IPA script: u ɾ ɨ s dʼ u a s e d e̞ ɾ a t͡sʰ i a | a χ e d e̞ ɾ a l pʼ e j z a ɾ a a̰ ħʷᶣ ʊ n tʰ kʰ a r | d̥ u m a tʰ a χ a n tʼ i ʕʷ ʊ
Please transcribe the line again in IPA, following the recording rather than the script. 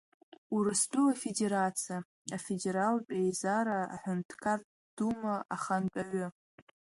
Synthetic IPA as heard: u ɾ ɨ s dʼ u a f e d e̞ ɾ a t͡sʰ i a | a f e d e̞ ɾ a l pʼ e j z a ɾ a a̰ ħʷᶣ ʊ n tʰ kʰ a r | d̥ u m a a χ a n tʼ a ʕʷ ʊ